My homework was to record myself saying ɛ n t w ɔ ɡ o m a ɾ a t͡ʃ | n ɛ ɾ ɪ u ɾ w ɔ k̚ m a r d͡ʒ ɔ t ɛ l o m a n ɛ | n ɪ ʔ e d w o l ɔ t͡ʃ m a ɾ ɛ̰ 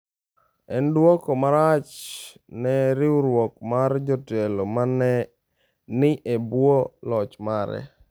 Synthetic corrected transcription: ɛ n d w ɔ k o m a ɾ a t͡ʃ | n ɛ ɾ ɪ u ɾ w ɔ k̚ m a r d͡ʒ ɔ t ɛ l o m a n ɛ | n ɪ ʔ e b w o l ɔ t͡ʃ m a ɾ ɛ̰